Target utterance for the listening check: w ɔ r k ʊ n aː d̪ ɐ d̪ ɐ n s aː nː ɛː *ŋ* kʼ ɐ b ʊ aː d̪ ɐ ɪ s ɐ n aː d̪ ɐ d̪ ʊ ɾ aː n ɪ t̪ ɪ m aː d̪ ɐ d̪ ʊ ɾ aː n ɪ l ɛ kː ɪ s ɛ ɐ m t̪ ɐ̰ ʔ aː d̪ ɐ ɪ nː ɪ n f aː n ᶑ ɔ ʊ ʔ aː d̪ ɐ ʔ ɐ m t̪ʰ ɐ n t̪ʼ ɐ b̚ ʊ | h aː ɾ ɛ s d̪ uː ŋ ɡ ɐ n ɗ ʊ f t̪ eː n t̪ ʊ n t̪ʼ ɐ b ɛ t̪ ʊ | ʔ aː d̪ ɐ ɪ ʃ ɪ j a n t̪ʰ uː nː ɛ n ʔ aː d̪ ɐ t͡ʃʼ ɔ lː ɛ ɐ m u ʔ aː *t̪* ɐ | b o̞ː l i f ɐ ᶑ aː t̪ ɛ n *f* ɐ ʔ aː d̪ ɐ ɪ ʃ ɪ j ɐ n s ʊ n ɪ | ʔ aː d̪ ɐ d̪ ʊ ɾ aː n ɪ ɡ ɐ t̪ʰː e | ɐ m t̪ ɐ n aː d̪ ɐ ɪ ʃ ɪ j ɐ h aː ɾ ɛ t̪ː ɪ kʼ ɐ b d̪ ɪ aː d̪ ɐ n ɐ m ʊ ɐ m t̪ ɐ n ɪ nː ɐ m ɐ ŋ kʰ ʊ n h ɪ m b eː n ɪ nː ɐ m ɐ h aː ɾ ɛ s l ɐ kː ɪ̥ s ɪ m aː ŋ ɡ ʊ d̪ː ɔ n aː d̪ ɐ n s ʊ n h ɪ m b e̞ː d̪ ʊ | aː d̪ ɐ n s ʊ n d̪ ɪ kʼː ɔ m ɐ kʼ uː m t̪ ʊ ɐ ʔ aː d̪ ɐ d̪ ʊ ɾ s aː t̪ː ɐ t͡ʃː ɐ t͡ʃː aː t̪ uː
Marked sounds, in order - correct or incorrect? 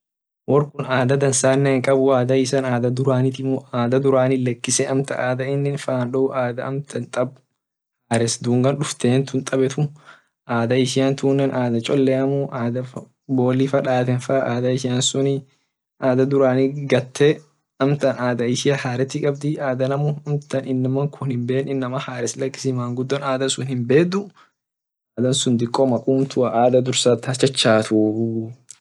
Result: correct, incorrect: d̪, correct

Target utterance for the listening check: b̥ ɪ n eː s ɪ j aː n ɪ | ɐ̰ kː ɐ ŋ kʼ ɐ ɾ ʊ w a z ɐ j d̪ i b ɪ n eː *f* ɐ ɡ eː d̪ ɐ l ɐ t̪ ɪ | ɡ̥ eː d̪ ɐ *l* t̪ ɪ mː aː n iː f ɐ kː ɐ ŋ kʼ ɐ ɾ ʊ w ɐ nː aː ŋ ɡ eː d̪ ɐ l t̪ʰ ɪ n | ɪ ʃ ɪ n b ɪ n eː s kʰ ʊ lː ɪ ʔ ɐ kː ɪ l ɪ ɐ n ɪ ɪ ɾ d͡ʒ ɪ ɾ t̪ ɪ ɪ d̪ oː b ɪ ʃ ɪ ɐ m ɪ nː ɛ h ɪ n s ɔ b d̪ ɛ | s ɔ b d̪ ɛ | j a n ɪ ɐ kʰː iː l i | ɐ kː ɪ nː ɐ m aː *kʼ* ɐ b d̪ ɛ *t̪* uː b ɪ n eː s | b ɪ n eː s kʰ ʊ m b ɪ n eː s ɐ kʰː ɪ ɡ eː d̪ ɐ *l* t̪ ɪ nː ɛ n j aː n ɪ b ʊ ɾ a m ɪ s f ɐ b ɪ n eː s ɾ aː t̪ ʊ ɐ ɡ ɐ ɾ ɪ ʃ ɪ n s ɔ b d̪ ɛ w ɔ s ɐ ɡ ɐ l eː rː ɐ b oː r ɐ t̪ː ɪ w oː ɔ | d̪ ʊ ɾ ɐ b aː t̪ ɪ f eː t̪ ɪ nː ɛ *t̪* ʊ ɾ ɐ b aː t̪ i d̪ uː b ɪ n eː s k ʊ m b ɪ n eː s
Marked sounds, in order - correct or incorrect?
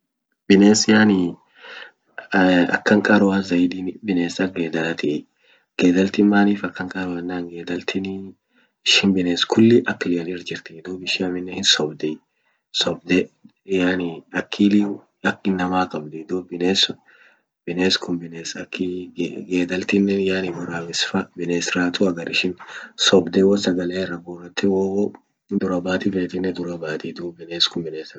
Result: incorrect: s, correct, correct, incorrect: d̪, correct, incorrect: d̪

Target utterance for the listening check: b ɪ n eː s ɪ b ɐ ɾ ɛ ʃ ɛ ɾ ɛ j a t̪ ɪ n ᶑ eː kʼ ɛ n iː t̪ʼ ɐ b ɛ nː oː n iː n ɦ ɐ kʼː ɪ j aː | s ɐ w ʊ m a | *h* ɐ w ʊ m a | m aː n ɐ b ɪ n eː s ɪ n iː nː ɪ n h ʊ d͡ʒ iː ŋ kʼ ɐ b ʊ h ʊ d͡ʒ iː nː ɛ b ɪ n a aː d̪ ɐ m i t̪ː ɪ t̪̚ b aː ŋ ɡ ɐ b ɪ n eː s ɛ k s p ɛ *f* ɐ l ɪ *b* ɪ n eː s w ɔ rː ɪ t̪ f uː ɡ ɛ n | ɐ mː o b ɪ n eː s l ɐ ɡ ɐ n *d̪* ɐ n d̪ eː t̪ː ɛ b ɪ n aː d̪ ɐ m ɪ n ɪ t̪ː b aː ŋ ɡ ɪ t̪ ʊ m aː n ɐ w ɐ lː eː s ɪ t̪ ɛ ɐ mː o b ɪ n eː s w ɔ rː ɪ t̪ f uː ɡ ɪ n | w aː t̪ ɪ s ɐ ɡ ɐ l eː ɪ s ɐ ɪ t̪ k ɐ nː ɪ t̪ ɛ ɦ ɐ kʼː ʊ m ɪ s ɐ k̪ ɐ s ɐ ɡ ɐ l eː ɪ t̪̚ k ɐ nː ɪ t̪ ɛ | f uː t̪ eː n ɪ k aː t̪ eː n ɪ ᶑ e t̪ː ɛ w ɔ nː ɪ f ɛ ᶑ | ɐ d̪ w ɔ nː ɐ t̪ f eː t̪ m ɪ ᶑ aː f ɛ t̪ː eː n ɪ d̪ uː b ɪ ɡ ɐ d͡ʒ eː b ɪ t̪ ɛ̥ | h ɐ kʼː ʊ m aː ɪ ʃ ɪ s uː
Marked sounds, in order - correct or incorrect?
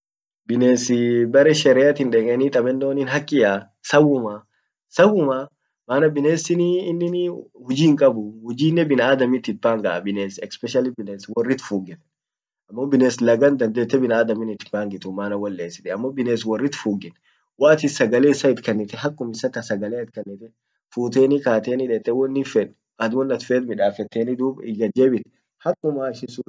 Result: incorrect: s, incorrect: ʃ, correct, correct

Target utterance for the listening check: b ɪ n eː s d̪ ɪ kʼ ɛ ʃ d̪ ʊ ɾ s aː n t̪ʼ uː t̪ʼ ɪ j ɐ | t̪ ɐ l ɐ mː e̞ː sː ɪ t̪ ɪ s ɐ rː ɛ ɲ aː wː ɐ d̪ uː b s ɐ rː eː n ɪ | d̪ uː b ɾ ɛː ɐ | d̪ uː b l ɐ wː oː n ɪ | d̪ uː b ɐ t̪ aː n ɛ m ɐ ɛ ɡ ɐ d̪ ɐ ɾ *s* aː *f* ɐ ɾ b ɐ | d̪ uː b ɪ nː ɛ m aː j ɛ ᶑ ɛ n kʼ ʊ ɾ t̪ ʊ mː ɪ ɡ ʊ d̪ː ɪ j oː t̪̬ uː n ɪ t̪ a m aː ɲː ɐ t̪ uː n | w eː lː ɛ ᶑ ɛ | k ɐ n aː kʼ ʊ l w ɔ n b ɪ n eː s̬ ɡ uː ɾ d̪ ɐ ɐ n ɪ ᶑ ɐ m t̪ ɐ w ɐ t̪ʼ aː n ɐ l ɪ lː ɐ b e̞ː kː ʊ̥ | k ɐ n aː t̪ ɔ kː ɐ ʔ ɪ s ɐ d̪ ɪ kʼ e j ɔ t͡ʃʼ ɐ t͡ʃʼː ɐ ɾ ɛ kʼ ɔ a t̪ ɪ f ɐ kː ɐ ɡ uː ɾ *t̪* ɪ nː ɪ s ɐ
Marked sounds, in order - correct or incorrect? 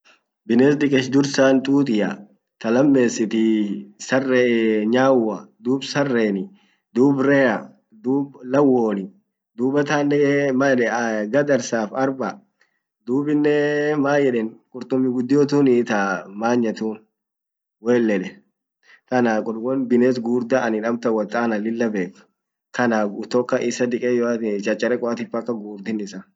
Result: correct, correct, incorrect: d̪

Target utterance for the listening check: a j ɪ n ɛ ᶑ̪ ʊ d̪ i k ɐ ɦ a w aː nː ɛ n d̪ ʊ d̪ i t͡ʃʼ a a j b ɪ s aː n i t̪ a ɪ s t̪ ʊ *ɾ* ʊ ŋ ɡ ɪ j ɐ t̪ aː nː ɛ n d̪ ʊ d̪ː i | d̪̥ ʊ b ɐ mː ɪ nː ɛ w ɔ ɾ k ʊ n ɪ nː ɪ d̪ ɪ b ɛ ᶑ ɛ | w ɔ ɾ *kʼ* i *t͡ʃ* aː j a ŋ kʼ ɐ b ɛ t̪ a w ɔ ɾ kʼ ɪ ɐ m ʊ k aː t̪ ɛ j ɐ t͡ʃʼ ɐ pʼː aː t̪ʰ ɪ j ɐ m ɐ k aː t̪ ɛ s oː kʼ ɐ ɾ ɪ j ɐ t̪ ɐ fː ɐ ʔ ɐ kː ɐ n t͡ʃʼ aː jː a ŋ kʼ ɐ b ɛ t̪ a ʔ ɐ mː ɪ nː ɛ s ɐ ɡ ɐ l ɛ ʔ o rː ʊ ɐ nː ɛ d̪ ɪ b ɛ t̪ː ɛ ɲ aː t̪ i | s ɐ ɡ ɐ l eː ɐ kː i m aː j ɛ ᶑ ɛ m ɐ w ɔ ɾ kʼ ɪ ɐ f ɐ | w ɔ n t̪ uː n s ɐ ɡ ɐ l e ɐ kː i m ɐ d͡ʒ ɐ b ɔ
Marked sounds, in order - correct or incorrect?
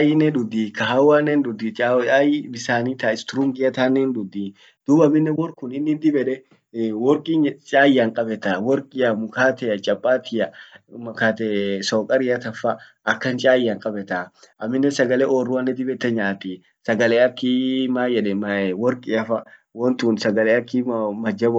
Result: correct, correct, incorrect: t͡ʃʼ

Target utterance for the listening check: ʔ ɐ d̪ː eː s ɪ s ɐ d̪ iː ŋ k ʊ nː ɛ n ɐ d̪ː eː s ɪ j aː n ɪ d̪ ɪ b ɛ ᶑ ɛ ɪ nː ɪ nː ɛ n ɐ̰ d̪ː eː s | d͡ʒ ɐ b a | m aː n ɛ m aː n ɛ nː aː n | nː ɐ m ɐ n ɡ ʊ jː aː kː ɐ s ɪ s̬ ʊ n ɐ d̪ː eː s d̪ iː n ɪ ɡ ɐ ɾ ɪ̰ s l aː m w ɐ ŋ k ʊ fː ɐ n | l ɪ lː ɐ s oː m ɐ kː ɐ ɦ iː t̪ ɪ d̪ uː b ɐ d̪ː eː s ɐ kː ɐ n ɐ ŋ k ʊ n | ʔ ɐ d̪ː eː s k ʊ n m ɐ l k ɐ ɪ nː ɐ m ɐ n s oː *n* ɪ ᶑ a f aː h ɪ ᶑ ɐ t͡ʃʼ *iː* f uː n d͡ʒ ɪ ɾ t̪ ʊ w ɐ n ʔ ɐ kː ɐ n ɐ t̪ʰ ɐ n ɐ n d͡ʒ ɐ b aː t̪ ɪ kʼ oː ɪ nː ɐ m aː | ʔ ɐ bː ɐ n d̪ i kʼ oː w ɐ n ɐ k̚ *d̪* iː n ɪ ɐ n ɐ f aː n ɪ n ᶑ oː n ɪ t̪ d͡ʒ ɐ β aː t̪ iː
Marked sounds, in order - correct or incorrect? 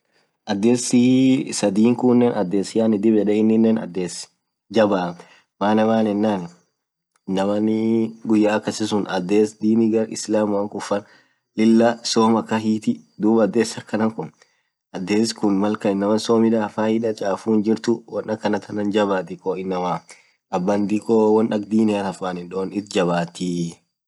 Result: incorrect: m, incorrect: aː, correct

